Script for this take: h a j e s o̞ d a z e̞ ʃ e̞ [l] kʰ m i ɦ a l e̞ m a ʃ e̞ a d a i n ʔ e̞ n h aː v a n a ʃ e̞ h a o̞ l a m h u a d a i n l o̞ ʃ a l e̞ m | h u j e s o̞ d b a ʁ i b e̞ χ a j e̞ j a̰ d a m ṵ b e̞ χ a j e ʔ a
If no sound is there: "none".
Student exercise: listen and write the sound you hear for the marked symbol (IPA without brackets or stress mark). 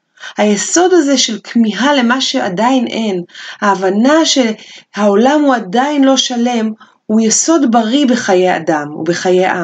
l